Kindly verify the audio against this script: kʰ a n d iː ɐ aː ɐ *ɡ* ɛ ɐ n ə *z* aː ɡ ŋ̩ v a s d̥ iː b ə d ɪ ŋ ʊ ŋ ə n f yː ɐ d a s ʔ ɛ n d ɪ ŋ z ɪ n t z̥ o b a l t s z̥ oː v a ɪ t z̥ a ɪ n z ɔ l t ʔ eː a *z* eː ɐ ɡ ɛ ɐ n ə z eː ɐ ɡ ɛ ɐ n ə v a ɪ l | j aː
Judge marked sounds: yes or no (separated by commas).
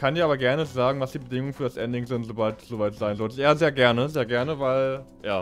yes, yes, yes